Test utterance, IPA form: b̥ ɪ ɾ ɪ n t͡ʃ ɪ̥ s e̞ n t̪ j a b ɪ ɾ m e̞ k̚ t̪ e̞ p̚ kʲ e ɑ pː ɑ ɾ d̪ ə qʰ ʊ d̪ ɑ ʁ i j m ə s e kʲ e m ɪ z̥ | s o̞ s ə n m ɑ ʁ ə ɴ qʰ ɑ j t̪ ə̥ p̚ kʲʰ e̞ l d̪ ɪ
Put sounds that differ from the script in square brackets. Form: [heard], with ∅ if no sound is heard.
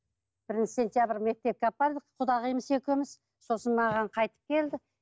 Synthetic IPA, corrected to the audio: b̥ ɪ ɾ ɪ n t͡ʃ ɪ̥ s e̞ n t̪ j a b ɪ ɾ m e̞ k̚ t̪ e̞ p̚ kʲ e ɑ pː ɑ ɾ d̪ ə qʰ ʊ d̪ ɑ ʁ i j m ə s e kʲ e m ɪ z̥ | s o̞ s ə n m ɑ ʁ [ɑ] ɴ qʰ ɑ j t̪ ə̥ p̚ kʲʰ e̞ l d̪ ɪ